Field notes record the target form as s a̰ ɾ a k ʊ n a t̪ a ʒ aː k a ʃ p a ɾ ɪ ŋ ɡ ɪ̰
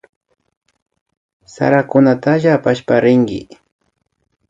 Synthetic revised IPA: s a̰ ɾ a k ʊ n a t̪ a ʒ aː p a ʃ p a ɾ ɪ ŋ ɡ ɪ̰